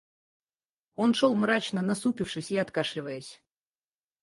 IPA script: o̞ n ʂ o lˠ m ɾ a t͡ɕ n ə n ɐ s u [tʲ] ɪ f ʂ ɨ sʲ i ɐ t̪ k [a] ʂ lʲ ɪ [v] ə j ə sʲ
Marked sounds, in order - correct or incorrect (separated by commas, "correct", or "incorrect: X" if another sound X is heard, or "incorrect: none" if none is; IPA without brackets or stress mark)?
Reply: incorrect: pʲ, correct, correct